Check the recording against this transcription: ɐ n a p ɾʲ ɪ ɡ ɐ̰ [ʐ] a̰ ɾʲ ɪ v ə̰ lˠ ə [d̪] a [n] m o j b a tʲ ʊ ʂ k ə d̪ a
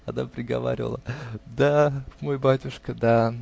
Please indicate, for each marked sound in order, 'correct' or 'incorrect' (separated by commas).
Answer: incorrect, correct, incorrect